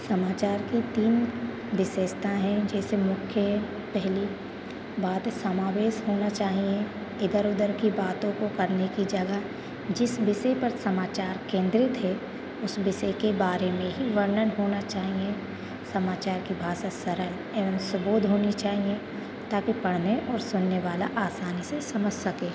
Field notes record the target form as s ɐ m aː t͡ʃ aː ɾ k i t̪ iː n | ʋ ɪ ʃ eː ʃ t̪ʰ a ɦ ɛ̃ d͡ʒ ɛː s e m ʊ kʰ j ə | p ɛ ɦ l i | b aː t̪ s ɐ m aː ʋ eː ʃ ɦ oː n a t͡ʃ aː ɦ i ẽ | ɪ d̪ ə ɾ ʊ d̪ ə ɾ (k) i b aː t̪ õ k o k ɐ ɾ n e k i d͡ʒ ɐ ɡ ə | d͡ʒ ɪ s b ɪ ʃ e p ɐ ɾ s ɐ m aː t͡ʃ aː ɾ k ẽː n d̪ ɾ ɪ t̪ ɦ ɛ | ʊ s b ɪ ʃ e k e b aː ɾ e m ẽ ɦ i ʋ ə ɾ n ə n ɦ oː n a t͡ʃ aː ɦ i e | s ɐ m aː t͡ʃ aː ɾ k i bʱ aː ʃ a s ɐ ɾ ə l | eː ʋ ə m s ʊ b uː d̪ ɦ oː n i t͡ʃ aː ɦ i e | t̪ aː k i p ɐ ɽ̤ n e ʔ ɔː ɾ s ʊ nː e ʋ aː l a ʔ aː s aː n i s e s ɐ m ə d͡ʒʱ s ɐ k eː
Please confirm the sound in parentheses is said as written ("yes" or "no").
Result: yes